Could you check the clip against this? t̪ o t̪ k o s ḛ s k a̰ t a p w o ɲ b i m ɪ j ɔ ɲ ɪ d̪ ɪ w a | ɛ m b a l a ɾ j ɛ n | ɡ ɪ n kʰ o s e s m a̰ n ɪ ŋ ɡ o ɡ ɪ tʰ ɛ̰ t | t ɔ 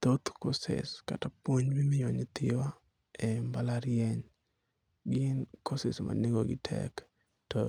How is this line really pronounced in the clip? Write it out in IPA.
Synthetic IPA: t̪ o t̪ k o s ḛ s k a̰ t a p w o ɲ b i m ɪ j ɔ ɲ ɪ t̪ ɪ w a | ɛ m b a l a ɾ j ɛ ɲ | ɡ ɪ n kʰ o s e s m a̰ n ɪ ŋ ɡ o ɡ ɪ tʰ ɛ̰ k | t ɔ